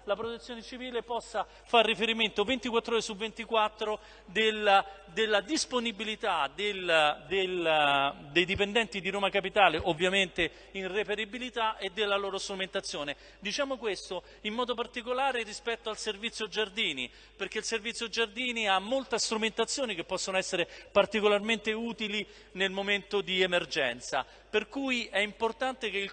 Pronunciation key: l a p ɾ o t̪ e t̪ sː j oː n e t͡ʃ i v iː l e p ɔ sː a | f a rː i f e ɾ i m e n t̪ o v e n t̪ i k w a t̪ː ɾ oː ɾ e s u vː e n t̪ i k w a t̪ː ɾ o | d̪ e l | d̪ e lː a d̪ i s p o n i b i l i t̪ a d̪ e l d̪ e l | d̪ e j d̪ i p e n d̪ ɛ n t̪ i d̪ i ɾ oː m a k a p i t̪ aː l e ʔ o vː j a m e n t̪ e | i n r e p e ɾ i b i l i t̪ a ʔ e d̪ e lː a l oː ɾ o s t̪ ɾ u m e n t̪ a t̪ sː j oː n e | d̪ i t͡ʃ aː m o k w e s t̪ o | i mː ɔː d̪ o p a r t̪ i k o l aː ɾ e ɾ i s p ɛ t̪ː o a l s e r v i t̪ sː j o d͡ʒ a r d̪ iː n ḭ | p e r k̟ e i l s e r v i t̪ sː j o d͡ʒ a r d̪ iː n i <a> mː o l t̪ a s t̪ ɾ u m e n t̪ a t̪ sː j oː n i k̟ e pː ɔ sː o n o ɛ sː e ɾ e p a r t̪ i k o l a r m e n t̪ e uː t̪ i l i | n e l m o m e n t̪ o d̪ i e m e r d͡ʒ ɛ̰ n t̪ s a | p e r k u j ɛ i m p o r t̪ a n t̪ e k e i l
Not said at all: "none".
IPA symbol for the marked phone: a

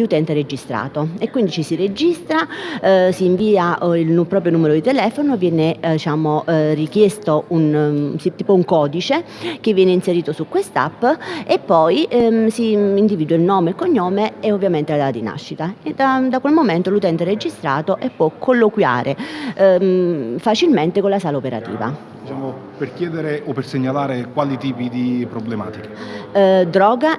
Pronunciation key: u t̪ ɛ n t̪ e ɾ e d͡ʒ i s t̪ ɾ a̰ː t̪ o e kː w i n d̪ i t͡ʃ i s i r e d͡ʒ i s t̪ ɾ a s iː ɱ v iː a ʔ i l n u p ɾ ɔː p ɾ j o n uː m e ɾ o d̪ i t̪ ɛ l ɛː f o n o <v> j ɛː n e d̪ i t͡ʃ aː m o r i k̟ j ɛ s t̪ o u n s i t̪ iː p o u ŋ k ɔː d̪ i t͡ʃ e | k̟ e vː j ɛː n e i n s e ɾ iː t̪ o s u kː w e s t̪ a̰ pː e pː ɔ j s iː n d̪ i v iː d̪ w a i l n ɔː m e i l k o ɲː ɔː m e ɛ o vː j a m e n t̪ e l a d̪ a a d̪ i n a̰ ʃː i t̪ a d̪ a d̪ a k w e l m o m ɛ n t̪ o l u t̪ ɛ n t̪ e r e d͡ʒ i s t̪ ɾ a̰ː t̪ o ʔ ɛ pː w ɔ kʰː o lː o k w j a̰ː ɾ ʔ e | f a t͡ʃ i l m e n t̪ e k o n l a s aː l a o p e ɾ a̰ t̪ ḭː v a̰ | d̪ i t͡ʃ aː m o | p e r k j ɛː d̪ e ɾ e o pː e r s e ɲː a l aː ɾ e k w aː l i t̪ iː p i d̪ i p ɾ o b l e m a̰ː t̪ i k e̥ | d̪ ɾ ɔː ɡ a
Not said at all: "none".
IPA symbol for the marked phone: v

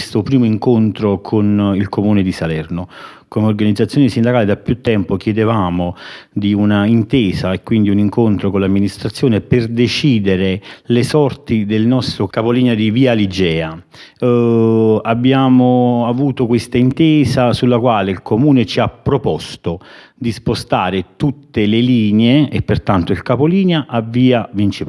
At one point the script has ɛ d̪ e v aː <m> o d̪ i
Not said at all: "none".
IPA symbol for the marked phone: m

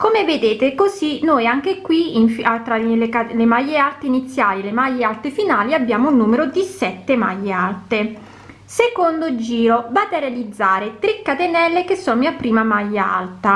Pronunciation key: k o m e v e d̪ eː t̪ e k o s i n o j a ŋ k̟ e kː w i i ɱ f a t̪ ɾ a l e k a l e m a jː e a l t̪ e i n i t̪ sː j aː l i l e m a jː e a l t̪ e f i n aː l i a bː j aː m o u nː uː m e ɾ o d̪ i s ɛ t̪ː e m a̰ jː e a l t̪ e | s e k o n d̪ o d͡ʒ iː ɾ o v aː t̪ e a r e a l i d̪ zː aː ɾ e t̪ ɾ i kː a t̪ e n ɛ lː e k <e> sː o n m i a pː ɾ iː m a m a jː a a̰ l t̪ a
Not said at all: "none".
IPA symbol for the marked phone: e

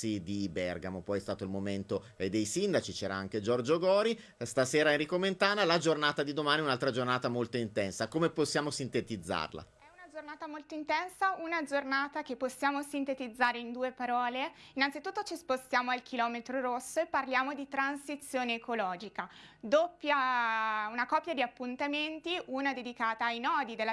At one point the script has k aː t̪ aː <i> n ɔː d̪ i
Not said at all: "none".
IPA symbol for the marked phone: j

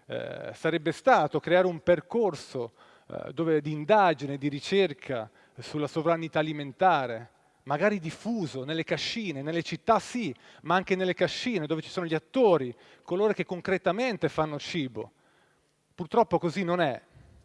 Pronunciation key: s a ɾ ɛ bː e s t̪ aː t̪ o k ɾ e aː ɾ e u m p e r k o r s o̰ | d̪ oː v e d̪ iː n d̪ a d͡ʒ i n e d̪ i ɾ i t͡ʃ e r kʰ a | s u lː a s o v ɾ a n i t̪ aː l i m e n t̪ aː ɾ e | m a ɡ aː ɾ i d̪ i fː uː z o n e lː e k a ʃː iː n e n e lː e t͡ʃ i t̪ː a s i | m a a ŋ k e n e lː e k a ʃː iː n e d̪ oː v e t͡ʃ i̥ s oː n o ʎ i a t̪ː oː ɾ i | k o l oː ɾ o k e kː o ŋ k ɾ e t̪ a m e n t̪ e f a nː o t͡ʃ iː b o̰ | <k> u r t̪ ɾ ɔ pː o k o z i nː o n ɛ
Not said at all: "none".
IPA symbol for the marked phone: p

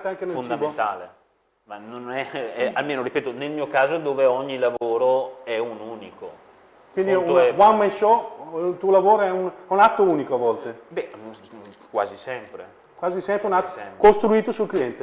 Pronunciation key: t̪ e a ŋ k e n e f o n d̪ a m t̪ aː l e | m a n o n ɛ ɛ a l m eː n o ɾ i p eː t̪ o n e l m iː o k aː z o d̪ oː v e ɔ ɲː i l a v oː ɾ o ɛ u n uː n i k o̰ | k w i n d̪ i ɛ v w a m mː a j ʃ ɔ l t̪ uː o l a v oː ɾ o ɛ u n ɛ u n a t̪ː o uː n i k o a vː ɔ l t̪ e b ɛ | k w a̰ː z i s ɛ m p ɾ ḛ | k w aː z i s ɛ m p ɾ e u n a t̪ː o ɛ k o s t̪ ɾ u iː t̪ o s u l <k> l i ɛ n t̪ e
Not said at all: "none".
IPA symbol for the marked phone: k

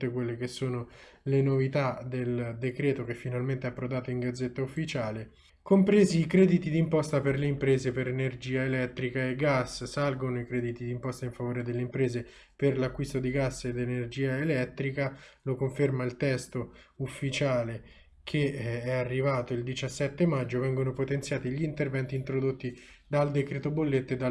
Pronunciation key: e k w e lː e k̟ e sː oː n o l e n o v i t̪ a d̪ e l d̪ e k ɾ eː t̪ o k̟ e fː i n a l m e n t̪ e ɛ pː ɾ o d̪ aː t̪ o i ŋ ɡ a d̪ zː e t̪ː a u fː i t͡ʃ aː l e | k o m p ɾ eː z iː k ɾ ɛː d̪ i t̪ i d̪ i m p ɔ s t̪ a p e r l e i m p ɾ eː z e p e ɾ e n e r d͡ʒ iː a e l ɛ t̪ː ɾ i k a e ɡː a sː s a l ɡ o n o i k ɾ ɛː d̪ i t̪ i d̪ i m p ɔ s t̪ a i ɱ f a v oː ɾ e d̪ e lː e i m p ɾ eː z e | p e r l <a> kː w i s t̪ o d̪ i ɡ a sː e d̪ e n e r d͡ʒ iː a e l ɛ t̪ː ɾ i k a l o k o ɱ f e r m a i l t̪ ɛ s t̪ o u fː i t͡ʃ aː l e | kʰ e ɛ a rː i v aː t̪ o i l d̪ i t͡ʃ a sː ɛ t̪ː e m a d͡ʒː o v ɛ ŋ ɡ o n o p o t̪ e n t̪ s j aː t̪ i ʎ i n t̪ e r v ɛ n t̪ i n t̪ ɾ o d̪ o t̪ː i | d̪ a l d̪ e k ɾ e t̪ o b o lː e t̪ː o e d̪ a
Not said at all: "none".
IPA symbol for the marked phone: a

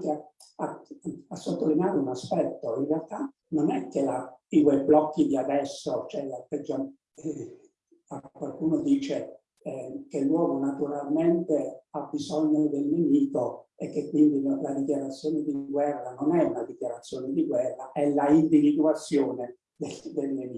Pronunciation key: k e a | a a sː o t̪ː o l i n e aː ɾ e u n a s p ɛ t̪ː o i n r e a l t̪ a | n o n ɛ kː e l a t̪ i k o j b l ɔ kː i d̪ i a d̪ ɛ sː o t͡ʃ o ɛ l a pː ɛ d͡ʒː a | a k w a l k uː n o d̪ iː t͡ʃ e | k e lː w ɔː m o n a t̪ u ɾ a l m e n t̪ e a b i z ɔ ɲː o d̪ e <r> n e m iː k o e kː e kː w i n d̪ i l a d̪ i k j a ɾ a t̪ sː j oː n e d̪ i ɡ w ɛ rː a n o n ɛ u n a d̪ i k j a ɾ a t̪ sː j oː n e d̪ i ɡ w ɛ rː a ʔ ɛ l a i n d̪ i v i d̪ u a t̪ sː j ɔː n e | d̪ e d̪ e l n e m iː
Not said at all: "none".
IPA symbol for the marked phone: l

